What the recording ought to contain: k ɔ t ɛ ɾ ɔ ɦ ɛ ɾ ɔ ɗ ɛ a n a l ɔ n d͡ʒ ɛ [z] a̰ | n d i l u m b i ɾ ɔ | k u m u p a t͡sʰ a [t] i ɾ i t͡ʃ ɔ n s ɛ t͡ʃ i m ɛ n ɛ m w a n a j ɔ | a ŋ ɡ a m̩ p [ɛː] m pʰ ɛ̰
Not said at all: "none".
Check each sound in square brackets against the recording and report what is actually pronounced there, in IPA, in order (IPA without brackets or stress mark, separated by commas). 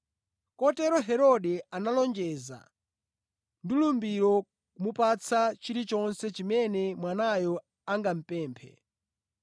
z, t͡ʃ, ɛː